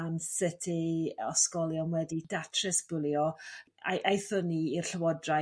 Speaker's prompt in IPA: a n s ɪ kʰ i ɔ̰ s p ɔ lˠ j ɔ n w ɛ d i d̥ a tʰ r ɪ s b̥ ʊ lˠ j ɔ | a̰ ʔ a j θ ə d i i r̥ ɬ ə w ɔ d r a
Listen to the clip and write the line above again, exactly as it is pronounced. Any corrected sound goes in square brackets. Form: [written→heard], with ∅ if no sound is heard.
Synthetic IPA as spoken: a n s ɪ [kʰ→tʰ] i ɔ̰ s [p→k] ɔ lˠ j ɔ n w ɛ d i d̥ a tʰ r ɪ s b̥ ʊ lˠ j ɔ | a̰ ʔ a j θ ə [d→n] i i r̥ ɬ ə w ɔ d r a